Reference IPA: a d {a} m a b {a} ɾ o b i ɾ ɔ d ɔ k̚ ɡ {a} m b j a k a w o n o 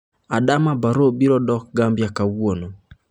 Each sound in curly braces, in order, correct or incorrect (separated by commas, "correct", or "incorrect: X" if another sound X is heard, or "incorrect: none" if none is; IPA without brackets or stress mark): correct, correct, correct